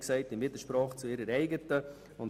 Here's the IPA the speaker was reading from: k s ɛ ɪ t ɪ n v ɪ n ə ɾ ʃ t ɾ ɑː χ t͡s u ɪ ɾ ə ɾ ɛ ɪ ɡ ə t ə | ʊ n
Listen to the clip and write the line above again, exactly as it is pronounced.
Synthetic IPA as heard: k s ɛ ɪ t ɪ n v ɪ d ə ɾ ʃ p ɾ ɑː χ t͡s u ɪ ɾ ə ɾ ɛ ɪ ɡ ə t ə | ʊ n